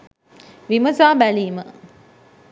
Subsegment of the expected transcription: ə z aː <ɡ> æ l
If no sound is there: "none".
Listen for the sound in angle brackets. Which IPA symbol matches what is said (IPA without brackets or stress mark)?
b